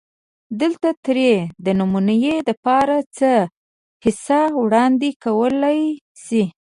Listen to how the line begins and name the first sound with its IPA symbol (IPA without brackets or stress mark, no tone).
d̪